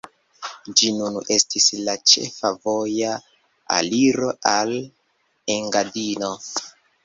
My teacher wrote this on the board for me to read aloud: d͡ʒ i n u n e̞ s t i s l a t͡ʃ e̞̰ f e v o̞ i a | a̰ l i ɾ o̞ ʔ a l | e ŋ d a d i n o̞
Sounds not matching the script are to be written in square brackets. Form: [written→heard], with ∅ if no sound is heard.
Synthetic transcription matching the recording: d͡ʒ i n u n e̞ s t i s l a t͡ʃ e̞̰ f [e→a] v o̞ [i→j] a | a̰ l i ɾ o̞ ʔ a l | e ŋ [d→ɡ] a d i n o̞